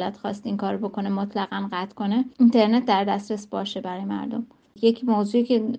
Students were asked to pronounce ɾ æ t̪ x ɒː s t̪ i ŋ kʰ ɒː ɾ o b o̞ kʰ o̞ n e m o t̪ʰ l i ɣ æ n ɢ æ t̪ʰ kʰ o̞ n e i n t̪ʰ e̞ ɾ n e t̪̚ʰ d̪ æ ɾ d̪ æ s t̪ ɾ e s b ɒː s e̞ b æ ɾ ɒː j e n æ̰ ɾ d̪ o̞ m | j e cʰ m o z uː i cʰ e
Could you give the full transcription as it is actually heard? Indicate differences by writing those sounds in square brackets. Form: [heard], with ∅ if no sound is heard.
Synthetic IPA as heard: [l] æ t̪ x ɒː s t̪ i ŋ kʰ ɒː ɾ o b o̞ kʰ o̞ n e m o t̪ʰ l [æ] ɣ æ n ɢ æ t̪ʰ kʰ o̞ n e i n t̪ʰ e̞ ɾ n e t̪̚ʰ d̪ æ ɾ d̪ æ s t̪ ɾ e s b ɒː [ʃ] e̞ b æ ɾ ɒː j e [m] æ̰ ɾ d̪ o̞ m | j e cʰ m o z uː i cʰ e